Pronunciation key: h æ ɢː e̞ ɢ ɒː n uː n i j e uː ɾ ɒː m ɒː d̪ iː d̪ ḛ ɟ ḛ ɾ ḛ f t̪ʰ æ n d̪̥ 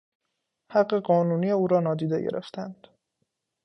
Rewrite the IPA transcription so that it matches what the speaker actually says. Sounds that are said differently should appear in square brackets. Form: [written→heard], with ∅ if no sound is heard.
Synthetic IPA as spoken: h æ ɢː e̞ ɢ ɒː n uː n i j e uː ɾ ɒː [m→n] ɒː d̪ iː d̪ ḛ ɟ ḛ ɾ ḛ f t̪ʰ æ n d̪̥